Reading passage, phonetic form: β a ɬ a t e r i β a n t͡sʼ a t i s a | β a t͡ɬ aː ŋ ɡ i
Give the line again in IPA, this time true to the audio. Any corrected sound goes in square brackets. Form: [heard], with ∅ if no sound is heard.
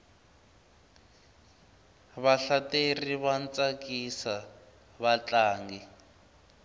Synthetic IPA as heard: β a ɬ a t e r i β a n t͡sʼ a [k] i s a | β a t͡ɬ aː ŋ ɡ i

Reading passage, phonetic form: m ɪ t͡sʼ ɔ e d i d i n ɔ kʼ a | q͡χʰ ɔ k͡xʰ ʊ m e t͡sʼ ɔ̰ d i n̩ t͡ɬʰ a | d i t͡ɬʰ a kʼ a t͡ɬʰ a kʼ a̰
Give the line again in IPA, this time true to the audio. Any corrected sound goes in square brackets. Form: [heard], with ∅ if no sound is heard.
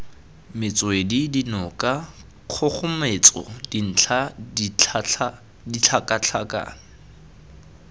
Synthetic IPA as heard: m ɪ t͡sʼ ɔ e d i d i n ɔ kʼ a | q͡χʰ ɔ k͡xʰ ʊ m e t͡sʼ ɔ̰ d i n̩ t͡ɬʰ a | d i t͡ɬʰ a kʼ a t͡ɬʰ a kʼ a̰

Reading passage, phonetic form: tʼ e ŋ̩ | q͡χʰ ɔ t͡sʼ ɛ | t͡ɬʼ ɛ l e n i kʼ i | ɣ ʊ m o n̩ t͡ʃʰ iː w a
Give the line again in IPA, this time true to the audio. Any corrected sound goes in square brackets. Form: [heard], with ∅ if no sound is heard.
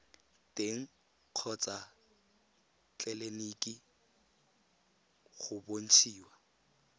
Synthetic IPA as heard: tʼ e ŋ̩ | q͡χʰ ɔ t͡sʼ [a] | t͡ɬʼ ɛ l e n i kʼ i | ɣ ʊ [b] o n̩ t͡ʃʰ iː w a

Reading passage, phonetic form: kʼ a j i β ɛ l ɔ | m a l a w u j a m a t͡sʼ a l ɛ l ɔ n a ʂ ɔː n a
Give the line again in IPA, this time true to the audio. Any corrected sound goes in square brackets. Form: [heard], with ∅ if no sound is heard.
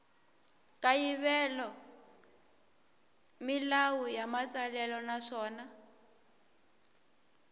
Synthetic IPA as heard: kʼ a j i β ɛ l ɔ | m [i] l a w u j a m a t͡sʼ a l ɛ l ɔ n a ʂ ɔː n a

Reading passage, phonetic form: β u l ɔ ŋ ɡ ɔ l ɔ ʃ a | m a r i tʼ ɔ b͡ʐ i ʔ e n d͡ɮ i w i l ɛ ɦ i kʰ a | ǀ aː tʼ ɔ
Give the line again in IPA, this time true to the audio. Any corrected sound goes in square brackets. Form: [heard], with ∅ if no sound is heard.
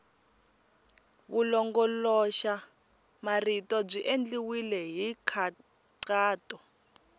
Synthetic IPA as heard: β u l ɔ ŋ ɡ ɔ l ɔ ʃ a | m a r i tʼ ɔ b͡ʐ i ʔ e n d͡ɮ i w i l ɛ ɦ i kʰ a | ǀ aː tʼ ɔ

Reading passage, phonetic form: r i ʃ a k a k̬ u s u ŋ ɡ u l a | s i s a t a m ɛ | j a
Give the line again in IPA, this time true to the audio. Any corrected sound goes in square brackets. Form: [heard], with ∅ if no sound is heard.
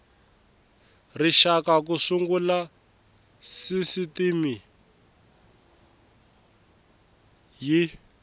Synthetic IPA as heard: r i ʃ a k a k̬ u s u ŋ ɡ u l a | s i s [i] t [i] m [i] | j [i]

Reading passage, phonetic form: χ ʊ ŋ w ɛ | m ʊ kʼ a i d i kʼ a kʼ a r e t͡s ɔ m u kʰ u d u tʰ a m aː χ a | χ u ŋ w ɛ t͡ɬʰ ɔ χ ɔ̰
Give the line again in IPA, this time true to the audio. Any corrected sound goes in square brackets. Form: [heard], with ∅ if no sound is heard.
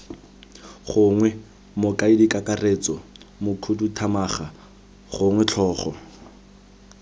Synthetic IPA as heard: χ ʊ ŋ w ɛ | m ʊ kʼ a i d i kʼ a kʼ a r e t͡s ɔ m [ʊ] kʰ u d u tʰ a m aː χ a | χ [ʊ] ŋ w ɛ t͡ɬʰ [ɔː] χ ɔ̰

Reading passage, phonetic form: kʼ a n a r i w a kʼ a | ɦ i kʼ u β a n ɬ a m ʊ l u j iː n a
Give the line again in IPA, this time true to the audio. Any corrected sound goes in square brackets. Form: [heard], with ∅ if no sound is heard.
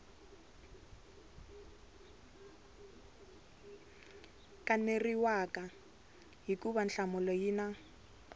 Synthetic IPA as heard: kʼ a n [e] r i w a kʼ a | ɦ i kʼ u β a n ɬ a m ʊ l [ɔ] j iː n a

